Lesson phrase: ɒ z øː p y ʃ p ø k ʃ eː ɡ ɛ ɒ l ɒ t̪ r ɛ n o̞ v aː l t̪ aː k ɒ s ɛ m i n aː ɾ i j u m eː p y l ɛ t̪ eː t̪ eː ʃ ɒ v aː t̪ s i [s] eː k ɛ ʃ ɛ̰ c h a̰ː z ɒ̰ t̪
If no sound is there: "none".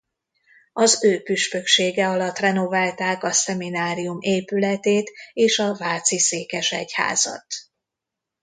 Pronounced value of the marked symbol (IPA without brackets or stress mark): s